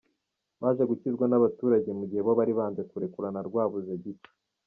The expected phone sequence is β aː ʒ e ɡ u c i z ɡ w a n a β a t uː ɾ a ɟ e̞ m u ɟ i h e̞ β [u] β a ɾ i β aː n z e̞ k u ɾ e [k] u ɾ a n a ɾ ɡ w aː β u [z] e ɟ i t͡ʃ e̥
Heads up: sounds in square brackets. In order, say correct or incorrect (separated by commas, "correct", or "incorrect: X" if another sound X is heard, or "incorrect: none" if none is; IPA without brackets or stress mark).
incorrect: o, correct, correct